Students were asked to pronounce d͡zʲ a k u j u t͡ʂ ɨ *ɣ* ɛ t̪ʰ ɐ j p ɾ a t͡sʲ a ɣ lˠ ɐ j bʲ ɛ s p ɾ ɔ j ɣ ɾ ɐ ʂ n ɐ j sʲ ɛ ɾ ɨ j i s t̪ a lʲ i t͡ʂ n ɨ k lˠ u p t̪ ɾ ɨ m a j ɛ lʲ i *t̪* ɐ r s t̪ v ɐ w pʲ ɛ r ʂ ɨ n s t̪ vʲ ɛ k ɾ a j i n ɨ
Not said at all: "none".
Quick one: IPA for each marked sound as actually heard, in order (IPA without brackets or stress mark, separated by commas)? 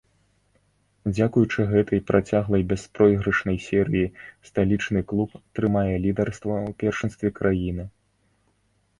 ɣ, d̪